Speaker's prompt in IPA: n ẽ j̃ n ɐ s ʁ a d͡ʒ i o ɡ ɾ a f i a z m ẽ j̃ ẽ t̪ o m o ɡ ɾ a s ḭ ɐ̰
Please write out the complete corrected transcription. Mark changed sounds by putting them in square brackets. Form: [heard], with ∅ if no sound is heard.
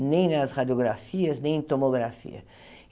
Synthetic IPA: n ẽ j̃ n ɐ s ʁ a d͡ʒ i o ɡ ɾ a f i [ɐ] z [n] ẽ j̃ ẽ t̪ o m o ɡ ɾ a [f] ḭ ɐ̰

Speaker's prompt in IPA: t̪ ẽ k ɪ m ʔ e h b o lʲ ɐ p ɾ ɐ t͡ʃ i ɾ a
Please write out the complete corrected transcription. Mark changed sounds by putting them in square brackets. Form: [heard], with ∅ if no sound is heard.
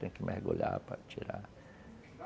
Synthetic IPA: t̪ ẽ k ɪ m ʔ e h [ɡ] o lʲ [a] p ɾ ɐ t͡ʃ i ɾ a

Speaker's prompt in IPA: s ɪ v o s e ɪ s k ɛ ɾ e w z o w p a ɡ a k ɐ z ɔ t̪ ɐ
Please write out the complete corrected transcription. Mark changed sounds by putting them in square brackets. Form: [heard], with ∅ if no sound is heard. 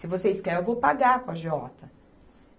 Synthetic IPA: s ɪ v o s e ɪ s k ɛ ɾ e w [v] o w p a ɡ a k ɐ [ʒ] ɔ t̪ ɐ

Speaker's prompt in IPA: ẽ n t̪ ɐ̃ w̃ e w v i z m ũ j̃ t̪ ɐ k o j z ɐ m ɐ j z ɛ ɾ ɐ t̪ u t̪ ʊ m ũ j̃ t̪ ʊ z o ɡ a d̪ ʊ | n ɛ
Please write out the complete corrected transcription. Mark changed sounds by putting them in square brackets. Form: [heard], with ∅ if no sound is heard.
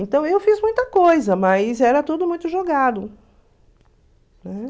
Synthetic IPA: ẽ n t̪ ɐ̃ w̃ e w [f] i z m ũ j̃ t̪ ɐ k o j z ɐ m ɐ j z ɛ ɾ ɐ t̪ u [d̪] ʊ m ũ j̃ t̪ ʊ [ʒ] o ɡ a d̪ ʊ | n ɛ

